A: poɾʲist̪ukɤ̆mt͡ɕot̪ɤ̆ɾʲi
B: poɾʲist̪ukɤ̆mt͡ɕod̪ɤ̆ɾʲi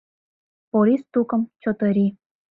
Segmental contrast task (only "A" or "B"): A